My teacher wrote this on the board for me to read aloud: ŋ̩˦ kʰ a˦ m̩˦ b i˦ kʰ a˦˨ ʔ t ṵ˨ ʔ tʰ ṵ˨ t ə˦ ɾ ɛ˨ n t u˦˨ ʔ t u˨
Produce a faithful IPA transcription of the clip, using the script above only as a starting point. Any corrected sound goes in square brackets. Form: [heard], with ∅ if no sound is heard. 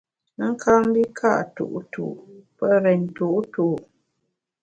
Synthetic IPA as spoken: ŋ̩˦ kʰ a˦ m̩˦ b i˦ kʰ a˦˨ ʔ t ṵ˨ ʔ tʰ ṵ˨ [p] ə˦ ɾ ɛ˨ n t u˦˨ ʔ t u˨